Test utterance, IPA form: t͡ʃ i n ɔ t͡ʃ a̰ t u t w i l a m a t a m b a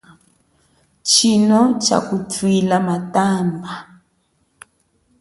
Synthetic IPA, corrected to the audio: t͡ʃ i n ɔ t͡ʃ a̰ k u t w i l a m a t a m b a